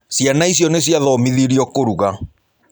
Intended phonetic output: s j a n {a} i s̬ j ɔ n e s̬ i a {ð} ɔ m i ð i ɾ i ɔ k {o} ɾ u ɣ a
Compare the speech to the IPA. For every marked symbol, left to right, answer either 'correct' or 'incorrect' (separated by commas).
correct, correct, correct